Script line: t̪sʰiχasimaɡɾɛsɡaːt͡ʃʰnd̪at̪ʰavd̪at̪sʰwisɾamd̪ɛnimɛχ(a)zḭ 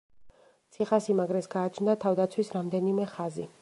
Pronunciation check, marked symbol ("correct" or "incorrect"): correct